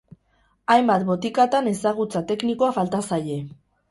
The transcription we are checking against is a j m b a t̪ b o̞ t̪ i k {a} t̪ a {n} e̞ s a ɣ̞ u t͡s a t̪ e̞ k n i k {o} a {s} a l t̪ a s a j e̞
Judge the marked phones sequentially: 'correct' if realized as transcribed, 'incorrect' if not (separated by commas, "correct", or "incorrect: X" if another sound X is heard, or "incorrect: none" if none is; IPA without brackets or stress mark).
correct, correct, correct, incorrect: f